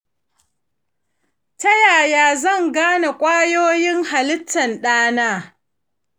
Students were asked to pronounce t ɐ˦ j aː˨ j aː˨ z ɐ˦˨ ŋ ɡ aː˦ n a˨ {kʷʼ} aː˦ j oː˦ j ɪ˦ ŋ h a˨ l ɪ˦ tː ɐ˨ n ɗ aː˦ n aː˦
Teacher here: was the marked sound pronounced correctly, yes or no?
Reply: yes